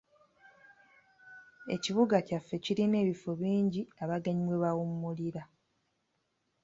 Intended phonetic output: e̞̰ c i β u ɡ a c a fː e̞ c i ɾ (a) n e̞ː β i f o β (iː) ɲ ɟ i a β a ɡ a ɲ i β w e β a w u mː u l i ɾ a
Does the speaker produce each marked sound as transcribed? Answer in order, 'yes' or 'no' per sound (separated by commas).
no, yes